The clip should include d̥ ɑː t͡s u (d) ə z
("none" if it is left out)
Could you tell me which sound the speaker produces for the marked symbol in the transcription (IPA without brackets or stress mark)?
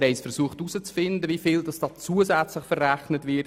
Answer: none